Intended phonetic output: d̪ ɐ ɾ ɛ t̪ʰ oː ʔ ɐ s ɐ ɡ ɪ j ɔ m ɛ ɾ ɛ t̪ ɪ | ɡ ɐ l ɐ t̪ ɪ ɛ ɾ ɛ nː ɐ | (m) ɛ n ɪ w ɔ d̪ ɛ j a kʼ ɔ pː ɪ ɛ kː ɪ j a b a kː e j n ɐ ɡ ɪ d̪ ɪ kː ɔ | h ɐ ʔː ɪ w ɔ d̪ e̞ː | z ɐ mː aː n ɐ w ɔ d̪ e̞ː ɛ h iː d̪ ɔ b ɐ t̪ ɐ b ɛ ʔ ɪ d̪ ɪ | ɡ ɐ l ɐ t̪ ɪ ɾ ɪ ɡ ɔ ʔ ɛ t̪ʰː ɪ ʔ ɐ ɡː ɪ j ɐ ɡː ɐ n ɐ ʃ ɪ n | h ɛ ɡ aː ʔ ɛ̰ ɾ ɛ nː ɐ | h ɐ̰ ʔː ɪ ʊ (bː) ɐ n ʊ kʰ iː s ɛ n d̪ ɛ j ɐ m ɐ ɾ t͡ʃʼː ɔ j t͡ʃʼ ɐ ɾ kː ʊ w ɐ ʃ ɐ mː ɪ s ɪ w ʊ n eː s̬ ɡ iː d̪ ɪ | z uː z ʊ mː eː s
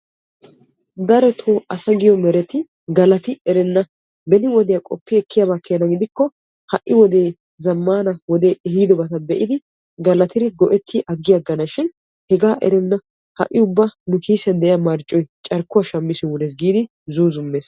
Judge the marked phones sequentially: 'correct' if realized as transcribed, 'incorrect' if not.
incorrect: b, correct

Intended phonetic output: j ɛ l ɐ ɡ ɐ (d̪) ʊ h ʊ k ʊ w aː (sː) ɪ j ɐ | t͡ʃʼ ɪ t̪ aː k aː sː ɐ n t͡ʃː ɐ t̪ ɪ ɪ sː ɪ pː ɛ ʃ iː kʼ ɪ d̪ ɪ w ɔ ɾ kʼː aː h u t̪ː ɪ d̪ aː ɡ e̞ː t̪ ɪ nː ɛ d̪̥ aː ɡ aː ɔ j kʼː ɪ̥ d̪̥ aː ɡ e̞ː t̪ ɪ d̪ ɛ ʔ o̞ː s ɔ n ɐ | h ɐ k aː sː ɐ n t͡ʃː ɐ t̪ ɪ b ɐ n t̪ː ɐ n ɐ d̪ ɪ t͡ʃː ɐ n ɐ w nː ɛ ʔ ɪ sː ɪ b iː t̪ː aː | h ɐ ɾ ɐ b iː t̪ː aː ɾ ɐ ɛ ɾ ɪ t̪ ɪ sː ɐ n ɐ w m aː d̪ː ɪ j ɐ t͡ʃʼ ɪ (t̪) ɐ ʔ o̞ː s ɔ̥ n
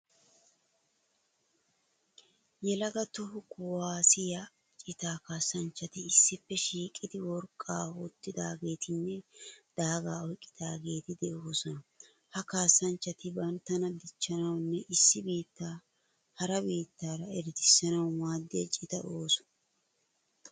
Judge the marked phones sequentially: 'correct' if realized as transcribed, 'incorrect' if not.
incorrect: t̪, incorrect: s, correct

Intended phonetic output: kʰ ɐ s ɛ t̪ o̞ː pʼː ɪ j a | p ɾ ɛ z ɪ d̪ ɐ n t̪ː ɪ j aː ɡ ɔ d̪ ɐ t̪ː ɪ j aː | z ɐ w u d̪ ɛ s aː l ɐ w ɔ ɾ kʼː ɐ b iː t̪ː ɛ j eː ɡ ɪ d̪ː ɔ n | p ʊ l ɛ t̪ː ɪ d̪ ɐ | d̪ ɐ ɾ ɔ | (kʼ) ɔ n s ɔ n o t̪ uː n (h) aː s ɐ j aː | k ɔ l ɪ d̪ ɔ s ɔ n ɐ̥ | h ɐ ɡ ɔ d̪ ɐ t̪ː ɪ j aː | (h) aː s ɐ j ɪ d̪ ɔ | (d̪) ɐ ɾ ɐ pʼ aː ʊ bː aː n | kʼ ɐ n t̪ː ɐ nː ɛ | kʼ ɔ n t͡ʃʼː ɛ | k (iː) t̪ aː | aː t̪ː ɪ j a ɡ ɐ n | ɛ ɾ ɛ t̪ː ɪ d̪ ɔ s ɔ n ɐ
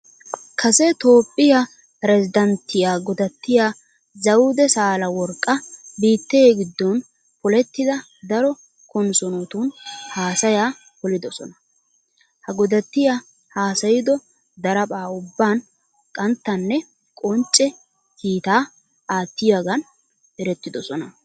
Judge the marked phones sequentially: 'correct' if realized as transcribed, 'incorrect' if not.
incorrect: k, correct, correct, correct, correct

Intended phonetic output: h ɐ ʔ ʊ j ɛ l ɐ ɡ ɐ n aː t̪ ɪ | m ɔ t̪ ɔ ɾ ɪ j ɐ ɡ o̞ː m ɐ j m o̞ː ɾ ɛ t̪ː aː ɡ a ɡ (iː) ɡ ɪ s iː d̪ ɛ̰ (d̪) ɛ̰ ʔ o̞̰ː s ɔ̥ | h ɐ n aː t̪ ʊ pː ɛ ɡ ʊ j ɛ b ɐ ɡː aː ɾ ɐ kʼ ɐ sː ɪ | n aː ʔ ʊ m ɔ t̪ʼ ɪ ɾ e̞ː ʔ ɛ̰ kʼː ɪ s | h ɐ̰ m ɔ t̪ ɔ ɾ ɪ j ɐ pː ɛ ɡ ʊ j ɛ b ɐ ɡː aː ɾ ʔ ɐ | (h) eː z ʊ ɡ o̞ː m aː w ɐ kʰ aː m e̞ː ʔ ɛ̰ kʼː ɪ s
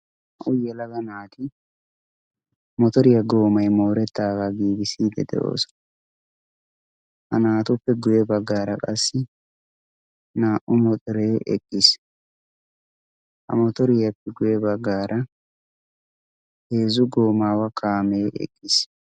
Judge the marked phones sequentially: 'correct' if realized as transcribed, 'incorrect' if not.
correct, correct, correct

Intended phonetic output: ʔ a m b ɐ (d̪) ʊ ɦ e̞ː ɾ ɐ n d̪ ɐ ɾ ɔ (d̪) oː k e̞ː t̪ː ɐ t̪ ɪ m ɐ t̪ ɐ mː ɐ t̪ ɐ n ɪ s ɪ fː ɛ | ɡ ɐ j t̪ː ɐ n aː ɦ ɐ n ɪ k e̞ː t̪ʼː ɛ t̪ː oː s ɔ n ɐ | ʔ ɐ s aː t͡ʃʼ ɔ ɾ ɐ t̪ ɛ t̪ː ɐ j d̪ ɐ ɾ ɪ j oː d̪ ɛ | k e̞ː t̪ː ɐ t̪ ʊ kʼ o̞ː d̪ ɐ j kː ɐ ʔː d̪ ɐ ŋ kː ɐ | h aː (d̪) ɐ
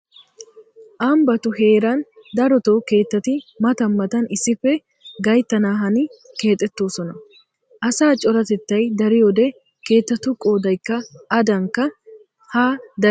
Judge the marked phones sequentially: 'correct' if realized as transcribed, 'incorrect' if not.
incorrect: t̪, incorrect: t̪, correct

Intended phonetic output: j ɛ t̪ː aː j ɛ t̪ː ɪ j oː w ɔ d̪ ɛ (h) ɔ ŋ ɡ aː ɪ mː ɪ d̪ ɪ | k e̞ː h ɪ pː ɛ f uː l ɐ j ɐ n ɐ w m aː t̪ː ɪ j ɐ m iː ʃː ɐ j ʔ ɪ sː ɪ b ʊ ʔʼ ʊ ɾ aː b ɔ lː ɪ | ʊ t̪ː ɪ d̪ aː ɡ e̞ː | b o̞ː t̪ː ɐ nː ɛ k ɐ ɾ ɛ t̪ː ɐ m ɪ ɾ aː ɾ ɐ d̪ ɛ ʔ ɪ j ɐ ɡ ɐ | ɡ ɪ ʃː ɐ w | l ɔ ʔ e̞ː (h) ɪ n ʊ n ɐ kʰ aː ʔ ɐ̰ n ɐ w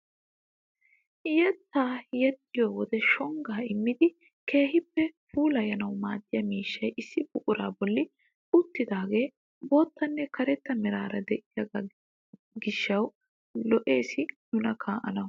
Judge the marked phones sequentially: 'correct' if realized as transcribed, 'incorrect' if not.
incorrect: ʃ, incorrect: s

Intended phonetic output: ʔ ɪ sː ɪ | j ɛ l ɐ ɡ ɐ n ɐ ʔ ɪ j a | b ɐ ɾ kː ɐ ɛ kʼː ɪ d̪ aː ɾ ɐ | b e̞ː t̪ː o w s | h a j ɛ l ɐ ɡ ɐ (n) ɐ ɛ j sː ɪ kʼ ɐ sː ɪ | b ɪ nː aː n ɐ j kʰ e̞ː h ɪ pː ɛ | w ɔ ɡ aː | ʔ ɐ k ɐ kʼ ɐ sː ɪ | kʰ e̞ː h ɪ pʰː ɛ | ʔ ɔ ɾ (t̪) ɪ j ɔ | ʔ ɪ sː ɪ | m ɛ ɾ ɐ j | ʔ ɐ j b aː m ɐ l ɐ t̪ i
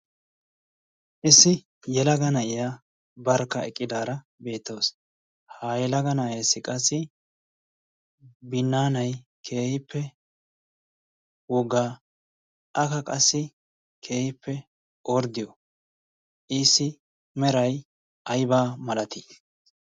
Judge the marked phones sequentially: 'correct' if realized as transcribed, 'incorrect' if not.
correct, incorrect: d̪

